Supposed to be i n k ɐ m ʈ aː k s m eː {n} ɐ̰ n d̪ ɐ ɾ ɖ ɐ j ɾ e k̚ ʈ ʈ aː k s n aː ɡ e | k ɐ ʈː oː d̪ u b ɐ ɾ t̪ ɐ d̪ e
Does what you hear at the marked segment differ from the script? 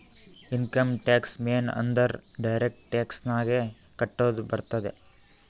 no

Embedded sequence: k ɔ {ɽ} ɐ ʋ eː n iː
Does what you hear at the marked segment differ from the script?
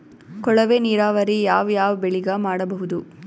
yes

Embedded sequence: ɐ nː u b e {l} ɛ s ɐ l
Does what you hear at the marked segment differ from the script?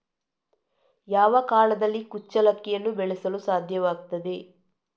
yes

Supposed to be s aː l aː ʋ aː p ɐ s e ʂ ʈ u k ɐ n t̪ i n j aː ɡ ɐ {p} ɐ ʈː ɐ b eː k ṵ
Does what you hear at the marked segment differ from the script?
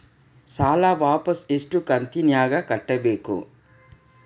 yes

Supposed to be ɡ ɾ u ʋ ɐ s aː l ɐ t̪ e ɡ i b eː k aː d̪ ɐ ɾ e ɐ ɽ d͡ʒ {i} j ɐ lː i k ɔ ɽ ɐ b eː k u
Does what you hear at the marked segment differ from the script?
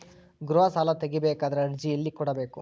no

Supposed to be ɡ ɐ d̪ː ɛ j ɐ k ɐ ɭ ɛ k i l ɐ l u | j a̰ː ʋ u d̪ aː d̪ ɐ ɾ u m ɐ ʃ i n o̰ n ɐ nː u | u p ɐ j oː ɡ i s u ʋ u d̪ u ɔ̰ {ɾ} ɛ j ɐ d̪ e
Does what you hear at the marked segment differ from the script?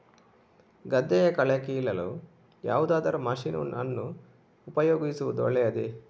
yes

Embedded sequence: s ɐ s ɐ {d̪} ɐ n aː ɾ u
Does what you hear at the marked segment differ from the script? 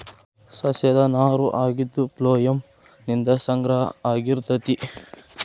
no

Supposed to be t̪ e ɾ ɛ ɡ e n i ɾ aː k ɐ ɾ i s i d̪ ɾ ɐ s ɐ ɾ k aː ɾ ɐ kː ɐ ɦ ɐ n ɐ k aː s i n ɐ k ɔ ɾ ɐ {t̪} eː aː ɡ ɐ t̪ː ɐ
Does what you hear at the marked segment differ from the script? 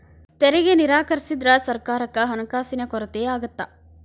no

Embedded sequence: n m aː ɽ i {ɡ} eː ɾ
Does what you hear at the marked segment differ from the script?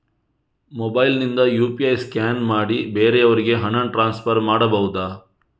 yes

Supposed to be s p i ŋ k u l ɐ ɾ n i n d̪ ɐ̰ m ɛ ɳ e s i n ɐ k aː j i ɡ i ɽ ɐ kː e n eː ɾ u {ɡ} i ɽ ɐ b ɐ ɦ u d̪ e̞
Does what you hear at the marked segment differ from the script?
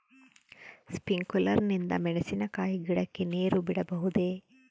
yes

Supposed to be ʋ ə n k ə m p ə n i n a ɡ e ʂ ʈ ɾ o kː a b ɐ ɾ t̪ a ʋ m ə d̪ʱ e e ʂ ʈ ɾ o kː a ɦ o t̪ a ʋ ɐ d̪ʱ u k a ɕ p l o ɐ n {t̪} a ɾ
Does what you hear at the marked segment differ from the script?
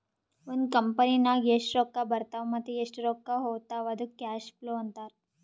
no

